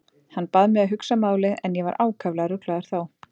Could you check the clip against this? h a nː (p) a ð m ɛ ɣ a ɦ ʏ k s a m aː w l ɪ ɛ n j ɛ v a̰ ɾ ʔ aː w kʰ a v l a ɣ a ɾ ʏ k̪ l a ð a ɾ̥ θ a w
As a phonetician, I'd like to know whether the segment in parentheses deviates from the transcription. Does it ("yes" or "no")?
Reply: no